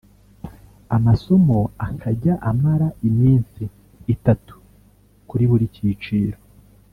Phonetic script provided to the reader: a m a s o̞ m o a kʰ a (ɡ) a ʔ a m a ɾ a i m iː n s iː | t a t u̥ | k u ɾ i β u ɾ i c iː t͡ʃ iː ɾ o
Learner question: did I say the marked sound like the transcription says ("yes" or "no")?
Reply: no